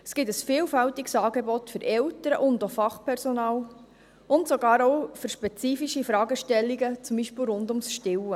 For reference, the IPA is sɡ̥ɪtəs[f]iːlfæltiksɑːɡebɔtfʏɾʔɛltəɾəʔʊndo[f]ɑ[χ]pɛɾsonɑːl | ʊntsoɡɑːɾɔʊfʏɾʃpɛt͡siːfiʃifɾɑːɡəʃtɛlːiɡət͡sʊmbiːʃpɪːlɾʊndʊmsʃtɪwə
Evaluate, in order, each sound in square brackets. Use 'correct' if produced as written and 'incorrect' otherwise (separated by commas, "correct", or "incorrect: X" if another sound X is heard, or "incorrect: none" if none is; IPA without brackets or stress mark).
correct, correct, correct